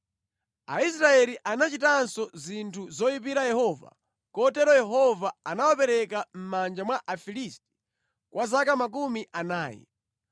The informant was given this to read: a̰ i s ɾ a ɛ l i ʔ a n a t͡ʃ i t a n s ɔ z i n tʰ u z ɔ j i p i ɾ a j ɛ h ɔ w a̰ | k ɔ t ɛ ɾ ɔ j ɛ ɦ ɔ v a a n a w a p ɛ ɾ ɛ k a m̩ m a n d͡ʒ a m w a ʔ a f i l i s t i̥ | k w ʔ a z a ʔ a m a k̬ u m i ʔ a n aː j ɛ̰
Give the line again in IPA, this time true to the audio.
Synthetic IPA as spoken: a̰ i s ɾ a ɛ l i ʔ a n a t͡ʃ i t a n s ɔ z i n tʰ u z ɔ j i p i ɾ a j ɛ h ɔ v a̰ | k ɔ t ɛ ɾ ɔ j ɛ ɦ ɔ v a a n a w a p ɛ ɾ ɛ k a m̩ m a n d͡ʒ a m w a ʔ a f i l i s t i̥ | k w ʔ a z a k a m a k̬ u m i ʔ a n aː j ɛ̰